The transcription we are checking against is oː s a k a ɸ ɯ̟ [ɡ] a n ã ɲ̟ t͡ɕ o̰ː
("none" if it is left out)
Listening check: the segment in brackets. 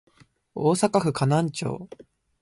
k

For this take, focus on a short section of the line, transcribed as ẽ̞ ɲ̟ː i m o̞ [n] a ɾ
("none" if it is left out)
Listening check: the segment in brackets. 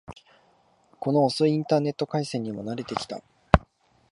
n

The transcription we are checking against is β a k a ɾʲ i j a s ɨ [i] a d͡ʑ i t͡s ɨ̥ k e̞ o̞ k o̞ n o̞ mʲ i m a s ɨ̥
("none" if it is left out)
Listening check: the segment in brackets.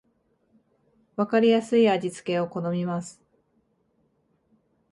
i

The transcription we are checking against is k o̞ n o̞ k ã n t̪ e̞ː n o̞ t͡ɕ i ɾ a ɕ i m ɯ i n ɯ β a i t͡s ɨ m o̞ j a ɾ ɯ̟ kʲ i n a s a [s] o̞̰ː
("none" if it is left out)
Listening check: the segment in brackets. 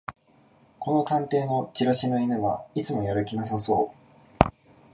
s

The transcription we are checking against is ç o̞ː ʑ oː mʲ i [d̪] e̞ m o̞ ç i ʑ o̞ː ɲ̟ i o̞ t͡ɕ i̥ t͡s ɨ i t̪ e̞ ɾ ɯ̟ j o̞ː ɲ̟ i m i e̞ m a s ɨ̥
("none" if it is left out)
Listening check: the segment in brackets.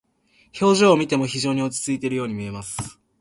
t̪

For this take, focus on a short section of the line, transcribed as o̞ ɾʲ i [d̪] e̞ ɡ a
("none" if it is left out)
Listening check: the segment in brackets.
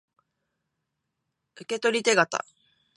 t̪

